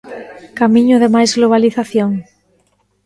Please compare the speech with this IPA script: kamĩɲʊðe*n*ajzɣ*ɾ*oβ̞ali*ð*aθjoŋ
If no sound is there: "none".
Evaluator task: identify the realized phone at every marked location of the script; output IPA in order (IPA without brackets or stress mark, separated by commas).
m, l, θ